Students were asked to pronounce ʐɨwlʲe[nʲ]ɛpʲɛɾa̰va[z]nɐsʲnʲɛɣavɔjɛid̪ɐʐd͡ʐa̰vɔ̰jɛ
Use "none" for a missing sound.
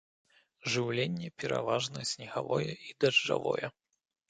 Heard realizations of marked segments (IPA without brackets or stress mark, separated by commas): nʲː, ʐ